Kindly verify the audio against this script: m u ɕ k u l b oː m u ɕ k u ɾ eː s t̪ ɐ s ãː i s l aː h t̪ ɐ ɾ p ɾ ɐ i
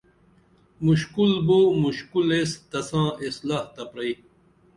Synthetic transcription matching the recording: m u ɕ k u l b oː m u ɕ k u l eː s t̪ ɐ s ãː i s l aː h t̪ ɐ p ɾ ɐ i